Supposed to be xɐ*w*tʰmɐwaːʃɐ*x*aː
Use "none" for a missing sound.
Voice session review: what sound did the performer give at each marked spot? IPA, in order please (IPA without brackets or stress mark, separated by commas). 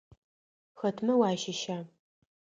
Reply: none, ʃ